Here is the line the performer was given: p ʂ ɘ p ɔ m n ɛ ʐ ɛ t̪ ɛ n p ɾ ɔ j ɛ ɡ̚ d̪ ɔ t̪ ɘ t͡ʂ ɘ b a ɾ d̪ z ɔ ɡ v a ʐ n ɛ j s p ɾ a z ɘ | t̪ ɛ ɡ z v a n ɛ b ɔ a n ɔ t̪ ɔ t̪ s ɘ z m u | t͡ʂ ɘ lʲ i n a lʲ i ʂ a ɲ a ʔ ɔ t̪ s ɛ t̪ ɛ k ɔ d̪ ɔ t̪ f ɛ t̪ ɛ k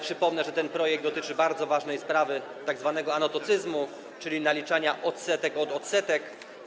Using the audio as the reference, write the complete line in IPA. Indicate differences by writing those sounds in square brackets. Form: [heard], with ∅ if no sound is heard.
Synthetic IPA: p ʂ ɘ p ɔ m n ɛ ʐ ɛ t̪ ɛ n p ɾ ɔ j ɛ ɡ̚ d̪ ɔ t̪ ɘ t͡ʂ ɘ b a ɾ d̪ z ɔ [∅] v a ʐ n ɛ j s p ɾ a [v] ɘ | t̪ [a] ɡ z v a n ɛ [ɡ] ɔ a n ɔ t̪ ɔ t̪ s ɘ z m u | t͡ʂ ɘ lʲ i n a lʲ i [t͡ʂ] a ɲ a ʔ ɔ t̪ s ɛ t̪ ɛ k ɔ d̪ ɔ t̪ [s] ɛ t̪ ɛ k